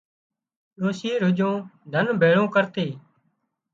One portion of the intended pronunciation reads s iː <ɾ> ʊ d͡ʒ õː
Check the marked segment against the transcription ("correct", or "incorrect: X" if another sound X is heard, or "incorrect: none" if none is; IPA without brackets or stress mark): correct